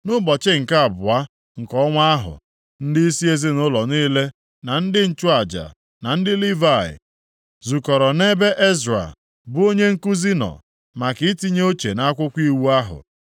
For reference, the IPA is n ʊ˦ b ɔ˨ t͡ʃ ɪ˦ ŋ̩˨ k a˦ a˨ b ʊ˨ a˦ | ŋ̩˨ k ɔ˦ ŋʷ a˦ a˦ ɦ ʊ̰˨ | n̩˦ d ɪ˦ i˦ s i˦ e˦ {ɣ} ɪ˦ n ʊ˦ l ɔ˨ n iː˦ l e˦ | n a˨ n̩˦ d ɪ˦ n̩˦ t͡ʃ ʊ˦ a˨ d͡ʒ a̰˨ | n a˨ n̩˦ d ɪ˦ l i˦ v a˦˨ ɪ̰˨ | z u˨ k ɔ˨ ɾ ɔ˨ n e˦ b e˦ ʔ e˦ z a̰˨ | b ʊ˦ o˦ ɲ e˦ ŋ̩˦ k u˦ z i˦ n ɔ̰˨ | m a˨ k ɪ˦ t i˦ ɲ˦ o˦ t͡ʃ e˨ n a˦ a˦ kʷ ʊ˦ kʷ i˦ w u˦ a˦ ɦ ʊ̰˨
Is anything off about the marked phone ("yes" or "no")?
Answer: yes